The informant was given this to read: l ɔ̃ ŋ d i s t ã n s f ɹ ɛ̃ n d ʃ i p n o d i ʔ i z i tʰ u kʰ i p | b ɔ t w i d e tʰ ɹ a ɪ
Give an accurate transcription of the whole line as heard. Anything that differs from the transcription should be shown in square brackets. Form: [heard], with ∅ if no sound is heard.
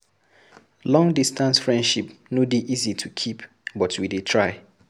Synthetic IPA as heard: l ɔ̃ ŋ d i s t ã n s f ɹ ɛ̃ n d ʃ i p n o d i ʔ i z i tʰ u kʰ i p | b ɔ t w i d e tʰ ɹ a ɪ